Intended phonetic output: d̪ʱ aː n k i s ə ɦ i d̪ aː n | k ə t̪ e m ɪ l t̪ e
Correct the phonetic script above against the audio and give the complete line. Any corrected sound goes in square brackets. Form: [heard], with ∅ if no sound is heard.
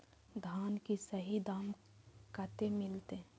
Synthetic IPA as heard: d̪ʱ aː n k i s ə ɦ i d̪ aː [m] | k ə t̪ e m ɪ l t̪ e